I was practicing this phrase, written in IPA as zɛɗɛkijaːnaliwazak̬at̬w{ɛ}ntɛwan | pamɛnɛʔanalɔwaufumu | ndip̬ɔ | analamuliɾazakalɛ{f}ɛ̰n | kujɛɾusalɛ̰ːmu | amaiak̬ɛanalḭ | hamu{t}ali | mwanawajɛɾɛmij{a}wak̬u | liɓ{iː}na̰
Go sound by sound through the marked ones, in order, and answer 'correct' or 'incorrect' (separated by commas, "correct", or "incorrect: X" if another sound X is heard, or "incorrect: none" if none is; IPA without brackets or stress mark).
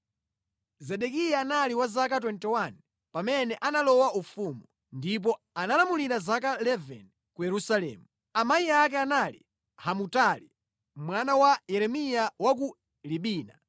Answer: correct, incorrect: v, correct, correct, correct